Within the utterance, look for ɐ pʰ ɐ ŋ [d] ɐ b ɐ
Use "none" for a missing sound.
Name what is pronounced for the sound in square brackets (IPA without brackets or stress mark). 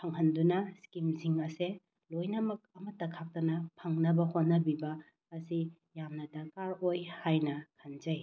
n